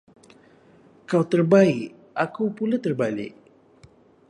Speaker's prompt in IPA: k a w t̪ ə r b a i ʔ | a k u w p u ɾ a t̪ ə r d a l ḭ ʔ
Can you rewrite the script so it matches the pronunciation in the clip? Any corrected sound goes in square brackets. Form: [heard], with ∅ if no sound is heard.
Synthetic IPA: k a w t̪ ə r b a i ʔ | a k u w p u [l] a t̪ ə r [b] a l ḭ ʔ